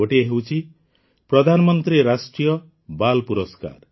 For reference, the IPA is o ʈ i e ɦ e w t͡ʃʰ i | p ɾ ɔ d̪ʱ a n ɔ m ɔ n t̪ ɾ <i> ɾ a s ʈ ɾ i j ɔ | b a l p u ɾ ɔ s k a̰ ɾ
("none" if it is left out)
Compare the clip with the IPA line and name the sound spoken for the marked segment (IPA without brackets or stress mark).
i